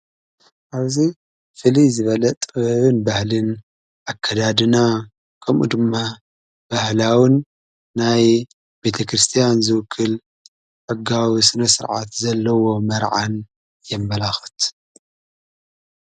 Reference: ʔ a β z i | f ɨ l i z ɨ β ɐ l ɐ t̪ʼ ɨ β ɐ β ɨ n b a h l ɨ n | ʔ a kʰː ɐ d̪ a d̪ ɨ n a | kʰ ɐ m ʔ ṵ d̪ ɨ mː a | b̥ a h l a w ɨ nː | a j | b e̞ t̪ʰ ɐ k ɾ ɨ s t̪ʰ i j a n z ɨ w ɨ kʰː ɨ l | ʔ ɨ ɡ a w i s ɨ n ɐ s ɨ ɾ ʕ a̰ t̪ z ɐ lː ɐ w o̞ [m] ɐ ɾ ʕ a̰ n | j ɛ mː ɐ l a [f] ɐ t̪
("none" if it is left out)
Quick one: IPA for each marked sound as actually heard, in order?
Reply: m, x

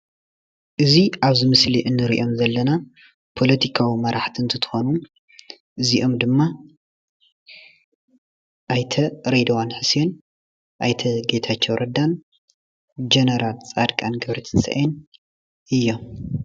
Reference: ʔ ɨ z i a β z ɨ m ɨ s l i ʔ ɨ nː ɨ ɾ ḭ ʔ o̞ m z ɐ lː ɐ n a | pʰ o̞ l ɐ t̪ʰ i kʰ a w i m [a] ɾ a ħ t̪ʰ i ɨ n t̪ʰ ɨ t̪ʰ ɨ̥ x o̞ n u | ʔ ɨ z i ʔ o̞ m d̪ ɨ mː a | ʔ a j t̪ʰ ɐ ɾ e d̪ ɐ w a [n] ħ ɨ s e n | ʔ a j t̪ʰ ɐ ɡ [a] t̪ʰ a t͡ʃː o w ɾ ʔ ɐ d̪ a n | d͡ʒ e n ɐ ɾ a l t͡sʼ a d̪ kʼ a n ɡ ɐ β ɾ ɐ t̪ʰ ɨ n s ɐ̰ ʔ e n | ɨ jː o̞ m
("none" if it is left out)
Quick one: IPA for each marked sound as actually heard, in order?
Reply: ɐ, n, e

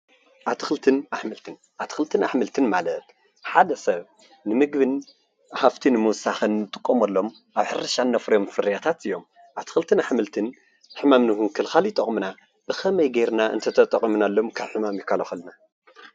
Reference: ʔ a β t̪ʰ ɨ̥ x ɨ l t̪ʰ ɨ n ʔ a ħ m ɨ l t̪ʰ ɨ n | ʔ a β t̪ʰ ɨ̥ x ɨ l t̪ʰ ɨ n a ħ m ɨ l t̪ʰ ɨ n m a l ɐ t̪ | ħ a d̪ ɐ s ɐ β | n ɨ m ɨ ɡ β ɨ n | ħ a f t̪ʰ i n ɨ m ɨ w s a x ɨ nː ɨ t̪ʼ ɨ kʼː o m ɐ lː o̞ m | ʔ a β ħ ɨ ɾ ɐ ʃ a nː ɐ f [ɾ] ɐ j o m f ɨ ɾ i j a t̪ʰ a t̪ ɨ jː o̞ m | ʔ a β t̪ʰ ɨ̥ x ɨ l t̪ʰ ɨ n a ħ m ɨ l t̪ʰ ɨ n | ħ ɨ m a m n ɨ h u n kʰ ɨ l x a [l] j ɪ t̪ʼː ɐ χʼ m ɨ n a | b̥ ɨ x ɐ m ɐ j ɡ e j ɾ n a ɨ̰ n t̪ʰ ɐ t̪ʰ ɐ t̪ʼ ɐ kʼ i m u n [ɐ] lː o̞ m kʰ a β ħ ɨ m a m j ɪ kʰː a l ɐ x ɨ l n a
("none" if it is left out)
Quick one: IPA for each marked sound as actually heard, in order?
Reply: ɾ, l, a

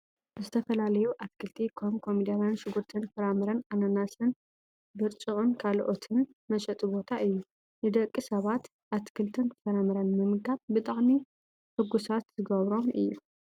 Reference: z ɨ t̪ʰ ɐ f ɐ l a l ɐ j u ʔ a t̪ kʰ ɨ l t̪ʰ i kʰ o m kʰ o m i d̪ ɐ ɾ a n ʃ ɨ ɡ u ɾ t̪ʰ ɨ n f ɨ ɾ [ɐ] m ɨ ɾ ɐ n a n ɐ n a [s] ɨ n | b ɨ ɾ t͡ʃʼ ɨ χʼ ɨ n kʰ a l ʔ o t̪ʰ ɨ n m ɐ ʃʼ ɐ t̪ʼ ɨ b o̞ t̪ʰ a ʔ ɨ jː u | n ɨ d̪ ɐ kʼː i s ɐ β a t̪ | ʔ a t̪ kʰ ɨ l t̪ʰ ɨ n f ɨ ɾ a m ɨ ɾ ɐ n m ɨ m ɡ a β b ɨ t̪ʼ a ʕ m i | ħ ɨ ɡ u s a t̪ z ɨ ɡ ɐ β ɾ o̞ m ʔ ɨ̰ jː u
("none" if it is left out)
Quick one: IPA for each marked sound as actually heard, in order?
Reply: a, s

